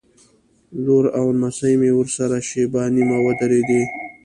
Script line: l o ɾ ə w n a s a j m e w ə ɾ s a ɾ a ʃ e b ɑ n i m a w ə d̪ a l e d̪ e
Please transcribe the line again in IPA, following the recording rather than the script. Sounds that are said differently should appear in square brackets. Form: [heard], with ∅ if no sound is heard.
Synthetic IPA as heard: l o ɾ [a] w n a s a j m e w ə ɾ s a ɾ a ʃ e b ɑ n i m a w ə d̪ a [ɾ] e d̪ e